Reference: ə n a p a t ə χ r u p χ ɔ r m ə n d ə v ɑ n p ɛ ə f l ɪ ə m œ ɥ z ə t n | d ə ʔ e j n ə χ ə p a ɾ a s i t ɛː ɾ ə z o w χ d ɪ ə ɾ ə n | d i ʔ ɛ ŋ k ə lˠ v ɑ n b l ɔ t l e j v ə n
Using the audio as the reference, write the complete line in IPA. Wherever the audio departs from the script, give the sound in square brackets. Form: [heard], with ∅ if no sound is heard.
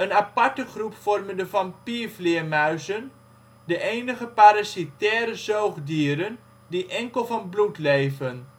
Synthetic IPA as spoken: ə n a p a t ə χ r u p [f] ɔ r m ə n d ə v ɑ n p [i] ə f l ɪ ə m œ ɥ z ə [∅] n | d ə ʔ e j n ə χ ə p a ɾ a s i t ɛː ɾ ə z o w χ d [i] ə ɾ ə n | d i ʔ ɛ ŋ k ə lˠ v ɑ n b l [u] t l e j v ə n